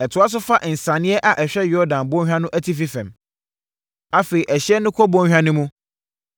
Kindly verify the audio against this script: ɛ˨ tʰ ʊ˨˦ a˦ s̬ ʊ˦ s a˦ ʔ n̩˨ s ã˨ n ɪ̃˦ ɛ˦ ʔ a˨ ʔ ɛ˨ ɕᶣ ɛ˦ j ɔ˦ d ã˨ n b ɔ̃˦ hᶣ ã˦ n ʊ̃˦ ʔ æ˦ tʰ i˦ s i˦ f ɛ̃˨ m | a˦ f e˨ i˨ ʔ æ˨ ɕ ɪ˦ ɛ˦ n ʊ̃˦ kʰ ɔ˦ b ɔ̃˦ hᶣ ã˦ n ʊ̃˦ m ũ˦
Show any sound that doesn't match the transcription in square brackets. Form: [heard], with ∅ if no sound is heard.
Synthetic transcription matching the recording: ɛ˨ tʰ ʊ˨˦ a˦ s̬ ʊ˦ [f] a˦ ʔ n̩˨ s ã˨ n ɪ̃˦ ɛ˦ ʔ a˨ ʔ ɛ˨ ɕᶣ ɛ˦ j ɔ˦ d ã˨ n b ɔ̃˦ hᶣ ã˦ n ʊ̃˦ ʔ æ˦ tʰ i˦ [f] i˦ f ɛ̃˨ m | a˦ f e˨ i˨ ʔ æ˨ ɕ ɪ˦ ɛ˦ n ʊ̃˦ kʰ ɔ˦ b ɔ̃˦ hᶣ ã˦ n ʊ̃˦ m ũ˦